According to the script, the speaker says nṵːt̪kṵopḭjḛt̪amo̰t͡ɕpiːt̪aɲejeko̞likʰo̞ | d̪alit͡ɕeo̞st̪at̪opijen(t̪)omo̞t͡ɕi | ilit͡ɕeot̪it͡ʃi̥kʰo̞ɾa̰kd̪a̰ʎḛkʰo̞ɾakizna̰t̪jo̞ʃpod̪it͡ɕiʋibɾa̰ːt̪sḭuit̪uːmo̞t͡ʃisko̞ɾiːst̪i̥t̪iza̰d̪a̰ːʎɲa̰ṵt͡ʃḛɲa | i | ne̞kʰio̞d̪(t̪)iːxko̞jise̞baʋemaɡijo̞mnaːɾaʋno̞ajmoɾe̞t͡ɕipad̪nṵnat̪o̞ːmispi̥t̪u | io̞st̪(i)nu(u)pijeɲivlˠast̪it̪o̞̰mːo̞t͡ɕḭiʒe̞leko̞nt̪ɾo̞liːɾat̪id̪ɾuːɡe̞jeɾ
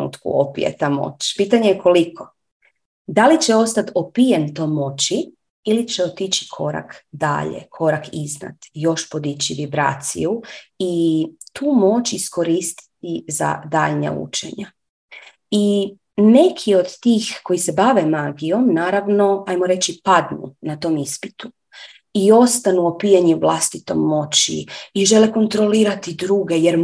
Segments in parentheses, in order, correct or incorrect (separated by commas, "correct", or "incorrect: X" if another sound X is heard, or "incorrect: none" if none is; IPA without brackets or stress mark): correct, correct, incorrect: a, incorrect: o